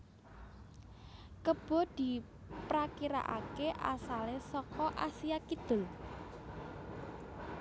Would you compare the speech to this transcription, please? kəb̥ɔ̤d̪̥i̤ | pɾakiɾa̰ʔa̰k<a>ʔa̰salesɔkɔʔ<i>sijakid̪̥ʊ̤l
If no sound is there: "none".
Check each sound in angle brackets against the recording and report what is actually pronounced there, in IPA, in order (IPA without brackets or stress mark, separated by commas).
e, a